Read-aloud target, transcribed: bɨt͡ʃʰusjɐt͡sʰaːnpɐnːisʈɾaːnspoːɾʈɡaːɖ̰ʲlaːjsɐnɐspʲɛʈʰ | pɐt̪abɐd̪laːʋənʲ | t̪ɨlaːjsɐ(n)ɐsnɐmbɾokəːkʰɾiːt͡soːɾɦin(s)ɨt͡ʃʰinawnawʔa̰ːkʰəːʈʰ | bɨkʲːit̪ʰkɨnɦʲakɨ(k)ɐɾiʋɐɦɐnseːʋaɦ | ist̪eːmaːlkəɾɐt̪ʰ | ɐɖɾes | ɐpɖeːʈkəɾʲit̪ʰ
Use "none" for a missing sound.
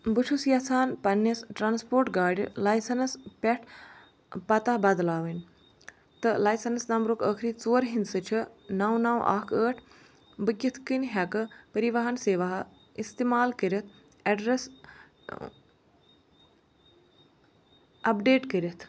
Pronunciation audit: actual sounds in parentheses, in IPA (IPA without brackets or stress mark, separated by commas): n, s, p